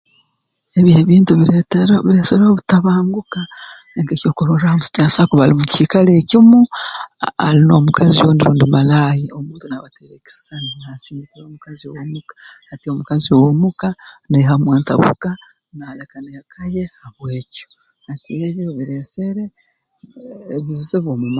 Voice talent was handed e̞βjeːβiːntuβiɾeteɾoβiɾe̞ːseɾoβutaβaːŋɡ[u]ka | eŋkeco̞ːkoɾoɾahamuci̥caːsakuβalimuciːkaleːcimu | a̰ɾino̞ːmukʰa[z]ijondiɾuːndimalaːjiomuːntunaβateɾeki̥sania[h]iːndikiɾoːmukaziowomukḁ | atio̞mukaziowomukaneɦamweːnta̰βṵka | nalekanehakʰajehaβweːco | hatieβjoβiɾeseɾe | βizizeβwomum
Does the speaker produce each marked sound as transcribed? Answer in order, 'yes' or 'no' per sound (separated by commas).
yes, yes, no